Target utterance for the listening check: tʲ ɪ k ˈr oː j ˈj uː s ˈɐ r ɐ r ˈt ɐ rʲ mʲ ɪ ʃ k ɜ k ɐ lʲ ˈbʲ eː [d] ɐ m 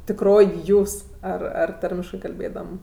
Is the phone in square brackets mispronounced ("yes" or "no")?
no